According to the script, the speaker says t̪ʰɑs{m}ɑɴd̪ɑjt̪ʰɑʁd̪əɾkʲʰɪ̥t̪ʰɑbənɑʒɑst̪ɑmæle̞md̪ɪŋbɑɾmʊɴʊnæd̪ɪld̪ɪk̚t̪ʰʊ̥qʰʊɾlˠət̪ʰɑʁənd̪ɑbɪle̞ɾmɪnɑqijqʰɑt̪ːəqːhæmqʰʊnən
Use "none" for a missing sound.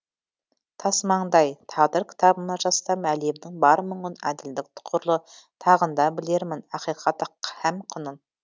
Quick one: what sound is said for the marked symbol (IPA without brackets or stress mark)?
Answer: m